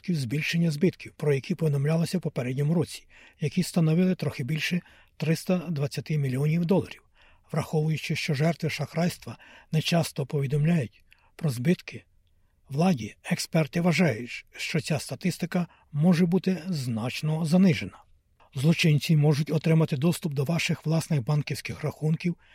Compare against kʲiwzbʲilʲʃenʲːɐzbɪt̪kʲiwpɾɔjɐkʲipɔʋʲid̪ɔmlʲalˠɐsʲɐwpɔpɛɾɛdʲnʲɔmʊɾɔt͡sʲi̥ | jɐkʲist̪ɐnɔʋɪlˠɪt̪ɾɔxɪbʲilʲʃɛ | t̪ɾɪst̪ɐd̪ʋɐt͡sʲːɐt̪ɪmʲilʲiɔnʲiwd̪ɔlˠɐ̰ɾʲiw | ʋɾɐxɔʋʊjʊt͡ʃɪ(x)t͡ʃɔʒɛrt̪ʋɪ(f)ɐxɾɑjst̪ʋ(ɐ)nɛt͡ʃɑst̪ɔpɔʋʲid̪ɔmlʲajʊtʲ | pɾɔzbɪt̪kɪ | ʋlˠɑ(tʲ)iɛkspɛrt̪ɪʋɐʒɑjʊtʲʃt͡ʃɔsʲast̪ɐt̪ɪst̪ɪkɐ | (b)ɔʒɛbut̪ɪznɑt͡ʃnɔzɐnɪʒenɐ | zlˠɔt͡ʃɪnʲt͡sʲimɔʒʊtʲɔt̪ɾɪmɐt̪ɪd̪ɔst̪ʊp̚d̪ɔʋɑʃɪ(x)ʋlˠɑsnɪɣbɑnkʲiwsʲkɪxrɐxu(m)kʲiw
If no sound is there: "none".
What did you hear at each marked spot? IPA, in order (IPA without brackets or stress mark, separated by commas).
ʃ, ʃ, ɐ, dʲ, m, x, n